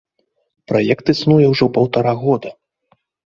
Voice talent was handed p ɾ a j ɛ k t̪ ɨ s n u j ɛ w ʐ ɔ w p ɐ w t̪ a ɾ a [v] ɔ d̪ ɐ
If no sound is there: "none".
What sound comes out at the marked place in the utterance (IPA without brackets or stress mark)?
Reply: ɣ